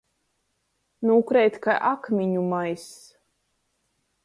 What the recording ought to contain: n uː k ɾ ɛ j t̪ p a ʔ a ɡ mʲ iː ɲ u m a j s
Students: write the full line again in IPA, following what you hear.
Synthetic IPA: n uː k ɾ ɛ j t̪ k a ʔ a k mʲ i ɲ u m a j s